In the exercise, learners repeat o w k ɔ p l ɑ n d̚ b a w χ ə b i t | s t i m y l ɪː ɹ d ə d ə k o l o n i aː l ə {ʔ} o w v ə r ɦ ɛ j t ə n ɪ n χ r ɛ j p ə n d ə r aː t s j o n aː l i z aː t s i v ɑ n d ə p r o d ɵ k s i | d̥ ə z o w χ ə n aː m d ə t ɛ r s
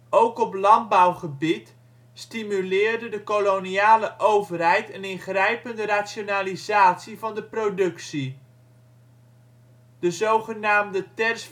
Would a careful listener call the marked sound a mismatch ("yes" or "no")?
no